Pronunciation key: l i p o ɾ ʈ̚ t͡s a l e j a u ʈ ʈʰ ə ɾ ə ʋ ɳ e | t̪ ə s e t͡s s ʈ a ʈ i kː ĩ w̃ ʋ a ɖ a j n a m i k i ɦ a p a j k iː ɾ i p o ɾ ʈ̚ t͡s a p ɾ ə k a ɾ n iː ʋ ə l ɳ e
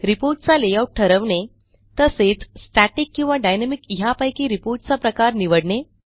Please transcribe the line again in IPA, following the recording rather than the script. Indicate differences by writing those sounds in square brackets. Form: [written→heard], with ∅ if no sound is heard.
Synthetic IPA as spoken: [l→ɾ] i p o ɾ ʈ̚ t͡s a l e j a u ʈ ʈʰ ə ɾ ə ʋ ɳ e | t̪ ə s e t͡s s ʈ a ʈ i kː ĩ w̃ ʋ a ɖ a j n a m i k i ɦ a p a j k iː ɾ i p o ɾ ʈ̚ t͡s a p ɾ ə k a ɾ n [iː→i] ʋ ə [l→ɽ] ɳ e